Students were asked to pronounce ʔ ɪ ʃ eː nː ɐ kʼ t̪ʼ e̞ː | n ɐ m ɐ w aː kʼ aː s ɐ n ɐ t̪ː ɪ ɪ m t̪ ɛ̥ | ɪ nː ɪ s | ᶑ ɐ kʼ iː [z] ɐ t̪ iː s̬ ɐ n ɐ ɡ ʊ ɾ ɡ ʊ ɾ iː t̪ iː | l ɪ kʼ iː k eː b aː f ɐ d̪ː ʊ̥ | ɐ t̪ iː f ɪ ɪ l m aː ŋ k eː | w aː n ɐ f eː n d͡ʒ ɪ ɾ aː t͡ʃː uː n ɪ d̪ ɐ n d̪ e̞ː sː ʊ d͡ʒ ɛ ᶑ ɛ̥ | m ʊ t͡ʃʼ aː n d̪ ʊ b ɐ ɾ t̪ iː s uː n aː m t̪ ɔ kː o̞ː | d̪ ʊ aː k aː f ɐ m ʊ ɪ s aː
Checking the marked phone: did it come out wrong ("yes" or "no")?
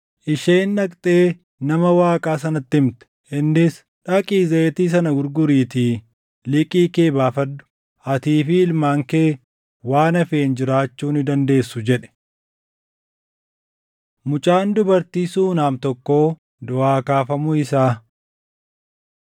no